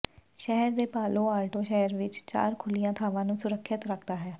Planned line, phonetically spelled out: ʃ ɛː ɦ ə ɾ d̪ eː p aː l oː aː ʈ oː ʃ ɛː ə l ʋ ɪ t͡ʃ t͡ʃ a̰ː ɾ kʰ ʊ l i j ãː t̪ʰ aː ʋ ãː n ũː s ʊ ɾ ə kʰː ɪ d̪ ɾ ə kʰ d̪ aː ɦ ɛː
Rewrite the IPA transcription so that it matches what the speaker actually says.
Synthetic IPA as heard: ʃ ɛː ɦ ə ɾ d̪ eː p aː l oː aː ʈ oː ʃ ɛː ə ɾ ʋ ɪ t͡ʃ t͡ʃ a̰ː ɾ kʰ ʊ l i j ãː t̪ʰ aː ʋ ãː n ũː s ʊ ɾ ə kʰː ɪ t̪ ɾ ə kʰ d̪ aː ɦ ɛː

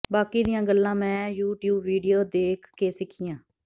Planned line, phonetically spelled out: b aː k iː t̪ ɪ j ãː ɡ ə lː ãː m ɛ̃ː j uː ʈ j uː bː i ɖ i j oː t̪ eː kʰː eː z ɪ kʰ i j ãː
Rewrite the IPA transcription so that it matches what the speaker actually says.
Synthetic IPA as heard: b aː k iː d̪ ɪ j ãː ɡ ə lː ãː m ɛ̃ː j uː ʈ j uː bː iː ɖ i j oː d̪ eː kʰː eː s ɪ kʰ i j ãː

